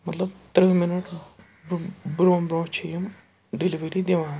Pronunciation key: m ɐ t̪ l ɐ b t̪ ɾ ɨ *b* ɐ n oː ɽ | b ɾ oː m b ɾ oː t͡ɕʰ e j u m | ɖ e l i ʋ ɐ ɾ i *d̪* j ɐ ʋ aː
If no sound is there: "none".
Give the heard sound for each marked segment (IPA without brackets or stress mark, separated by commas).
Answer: m, d̪